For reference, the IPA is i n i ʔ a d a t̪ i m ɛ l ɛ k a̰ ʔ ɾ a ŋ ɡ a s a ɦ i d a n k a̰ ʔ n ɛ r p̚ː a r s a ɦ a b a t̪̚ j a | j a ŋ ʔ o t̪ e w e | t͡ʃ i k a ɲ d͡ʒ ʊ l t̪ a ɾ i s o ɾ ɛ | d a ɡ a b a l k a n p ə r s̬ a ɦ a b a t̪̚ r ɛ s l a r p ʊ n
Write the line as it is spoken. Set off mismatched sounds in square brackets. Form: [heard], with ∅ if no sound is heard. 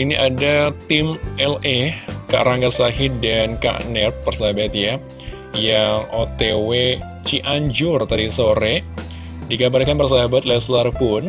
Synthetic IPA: i n i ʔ a d a t̪ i m ɛ l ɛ k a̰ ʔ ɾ a ŋ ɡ a s a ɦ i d a n k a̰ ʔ n ɛ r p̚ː [ə] r s a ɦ a b a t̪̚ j a | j a ŋ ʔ o t̪ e w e | t͡ʃ i [ʔ] a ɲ d͡ʒ ʊ [r] t̪ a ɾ i s o ɾ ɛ | d [i] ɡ a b a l k a n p ə r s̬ a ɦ a b a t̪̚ [l] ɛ s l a r p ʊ n